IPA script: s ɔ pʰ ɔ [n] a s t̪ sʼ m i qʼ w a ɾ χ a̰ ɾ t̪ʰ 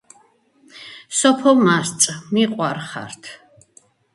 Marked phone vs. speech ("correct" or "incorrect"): incorrect